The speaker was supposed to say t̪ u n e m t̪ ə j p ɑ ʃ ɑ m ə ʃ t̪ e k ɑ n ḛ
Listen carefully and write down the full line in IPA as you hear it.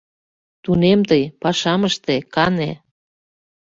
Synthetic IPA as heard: t̪ u n e m t̪ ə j p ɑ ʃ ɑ m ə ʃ t̪ e k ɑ n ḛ